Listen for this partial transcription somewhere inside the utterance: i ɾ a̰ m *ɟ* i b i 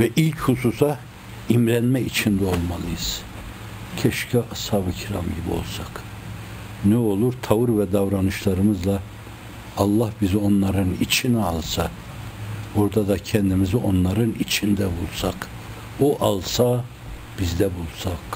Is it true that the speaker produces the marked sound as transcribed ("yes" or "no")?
yes